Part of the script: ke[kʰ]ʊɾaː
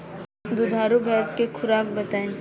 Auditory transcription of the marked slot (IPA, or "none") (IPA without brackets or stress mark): kʰ